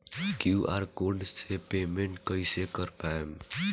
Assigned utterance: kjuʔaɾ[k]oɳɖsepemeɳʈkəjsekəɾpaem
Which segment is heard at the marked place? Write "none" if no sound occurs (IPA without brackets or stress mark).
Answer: k